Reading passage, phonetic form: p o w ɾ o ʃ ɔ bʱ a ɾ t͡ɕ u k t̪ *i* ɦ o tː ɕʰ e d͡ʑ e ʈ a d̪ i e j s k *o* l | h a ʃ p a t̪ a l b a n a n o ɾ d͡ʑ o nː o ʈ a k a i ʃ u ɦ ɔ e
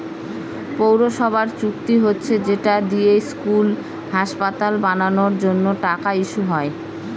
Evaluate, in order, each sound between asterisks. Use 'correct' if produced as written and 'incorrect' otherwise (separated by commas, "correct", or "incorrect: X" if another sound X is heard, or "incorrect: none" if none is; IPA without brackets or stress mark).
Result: correct, incorrect: u